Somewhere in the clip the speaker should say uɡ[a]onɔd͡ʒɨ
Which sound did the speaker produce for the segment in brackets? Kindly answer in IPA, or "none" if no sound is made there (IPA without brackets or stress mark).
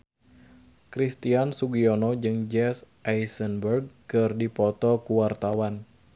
i